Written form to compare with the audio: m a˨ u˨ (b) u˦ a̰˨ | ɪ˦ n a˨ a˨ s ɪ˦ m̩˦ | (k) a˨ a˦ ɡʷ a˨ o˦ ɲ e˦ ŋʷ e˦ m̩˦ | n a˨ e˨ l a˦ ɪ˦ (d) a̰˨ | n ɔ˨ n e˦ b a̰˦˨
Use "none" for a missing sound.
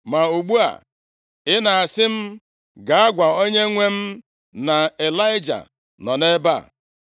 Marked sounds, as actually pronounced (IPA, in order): ɡ͡b, ɡ, d͡ʒ

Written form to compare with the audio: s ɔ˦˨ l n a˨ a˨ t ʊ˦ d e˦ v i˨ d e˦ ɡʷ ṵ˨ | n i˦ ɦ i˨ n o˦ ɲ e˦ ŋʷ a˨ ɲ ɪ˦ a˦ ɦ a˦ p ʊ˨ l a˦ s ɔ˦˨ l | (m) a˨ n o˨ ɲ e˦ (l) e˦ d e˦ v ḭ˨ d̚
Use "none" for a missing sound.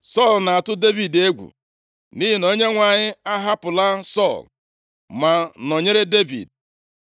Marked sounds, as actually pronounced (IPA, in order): m, ɾ

